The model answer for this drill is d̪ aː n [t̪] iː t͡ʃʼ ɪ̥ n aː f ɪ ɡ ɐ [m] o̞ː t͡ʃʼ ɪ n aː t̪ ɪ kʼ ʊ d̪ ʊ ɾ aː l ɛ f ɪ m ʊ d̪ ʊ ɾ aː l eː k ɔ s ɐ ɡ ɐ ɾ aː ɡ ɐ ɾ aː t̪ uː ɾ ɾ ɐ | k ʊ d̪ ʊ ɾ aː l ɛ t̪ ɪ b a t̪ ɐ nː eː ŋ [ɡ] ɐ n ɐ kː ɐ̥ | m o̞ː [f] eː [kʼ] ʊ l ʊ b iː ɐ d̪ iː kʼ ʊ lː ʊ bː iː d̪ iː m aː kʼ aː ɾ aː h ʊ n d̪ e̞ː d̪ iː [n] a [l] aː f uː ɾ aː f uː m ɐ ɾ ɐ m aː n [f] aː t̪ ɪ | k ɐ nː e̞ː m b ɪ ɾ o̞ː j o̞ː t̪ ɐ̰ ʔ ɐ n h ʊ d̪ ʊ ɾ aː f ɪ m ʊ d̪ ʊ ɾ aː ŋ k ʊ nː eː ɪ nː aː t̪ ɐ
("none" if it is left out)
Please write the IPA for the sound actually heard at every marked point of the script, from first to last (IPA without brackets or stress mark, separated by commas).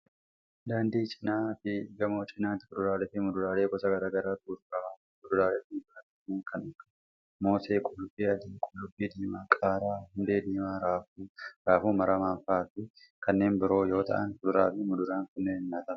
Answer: d̪, m, k, s, kʼ, m, ɾ, f